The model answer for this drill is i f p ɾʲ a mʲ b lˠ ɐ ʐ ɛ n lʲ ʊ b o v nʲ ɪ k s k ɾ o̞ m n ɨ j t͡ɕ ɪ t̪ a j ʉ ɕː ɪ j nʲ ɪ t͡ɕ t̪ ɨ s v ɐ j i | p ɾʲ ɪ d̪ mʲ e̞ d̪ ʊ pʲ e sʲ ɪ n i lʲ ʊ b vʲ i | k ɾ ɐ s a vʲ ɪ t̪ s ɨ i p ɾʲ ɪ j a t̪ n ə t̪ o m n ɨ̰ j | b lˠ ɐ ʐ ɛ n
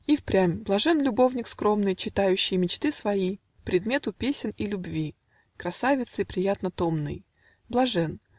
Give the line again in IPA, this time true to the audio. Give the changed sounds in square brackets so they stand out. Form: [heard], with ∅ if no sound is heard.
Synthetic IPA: i f p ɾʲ a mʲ b lˠ ɐ ʐ ɛ n lʲ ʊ b o v nʲ ɪ k s k ɾ o̞ m n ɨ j t͡ɕ ɪ t̪ a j ʉ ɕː ɪ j [mʲ] ɪ t͡ɕ t̪ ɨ s v ɐ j i | p ɾʲ ɪ d̪ mʲ e̞ [t̪] ʊ pʲ e sʲ ɪ n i lʲ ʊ b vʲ i | k ɾ ɐ s a vʲ ɪ t̪ s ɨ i p ɾʲ ɪ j a t̪ n ə t̪ o m n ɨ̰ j | b lˠ ɐ ʐ ɛ n